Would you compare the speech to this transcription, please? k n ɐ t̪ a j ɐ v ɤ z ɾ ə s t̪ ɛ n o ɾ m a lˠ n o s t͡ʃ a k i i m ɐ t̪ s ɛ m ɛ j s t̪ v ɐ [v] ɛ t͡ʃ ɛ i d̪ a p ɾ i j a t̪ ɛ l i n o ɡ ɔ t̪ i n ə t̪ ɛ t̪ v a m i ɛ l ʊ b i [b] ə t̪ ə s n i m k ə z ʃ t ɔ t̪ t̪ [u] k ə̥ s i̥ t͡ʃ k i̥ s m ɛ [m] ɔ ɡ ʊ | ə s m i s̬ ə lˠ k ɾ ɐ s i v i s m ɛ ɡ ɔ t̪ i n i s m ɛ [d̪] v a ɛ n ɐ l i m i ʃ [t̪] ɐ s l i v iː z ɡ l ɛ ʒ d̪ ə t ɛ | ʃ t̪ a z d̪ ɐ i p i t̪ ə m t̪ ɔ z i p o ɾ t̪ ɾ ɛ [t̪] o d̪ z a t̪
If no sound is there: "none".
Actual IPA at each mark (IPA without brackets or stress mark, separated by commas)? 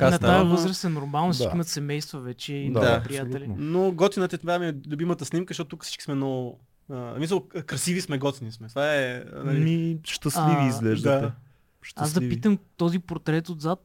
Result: v, m, u, n, t̪, t̪, t̪